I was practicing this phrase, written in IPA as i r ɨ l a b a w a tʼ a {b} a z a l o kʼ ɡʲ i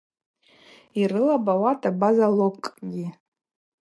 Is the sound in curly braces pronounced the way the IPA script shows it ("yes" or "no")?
yes